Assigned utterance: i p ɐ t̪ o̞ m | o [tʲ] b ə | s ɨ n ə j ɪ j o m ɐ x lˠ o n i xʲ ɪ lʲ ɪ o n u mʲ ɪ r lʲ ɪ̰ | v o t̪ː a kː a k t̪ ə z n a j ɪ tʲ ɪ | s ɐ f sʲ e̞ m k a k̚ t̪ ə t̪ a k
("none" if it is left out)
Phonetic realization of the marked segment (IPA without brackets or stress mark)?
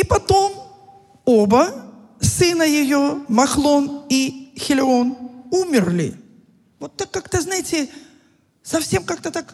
none